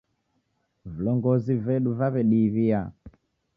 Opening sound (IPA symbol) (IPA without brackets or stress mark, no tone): v